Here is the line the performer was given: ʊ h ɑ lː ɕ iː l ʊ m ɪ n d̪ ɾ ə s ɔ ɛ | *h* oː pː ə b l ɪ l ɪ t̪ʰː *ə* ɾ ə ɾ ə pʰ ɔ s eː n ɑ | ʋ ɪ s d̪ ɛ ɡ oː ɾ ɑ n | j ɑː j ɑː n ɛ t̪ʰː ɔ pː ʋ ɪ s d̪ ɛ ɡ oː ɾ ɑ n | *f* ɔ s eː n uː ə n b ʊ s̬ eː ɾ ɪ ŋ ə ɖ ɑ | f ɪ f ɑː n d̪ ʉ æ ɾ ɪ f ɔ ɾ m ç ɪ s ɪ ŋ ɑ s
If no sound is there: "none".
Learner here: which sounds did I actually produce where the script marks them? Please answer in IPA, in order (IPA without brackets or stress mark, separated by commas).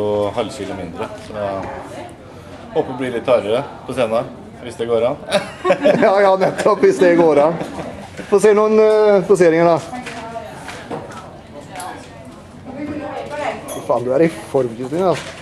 h, ɑ, f